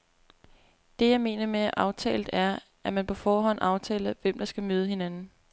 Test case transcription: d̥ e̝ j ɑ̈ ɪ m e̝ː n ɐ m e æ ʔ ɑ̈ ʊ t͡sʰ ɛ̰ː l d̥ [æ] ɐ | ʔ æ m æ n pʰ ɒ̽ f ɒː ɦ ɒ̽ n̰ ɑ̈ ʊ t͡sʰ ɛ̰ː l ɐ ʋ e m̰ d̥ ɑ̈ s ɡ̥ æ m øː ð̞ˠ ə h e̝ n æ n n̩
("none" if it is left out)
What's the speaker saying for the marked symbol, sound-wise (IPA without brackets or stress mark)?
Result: æ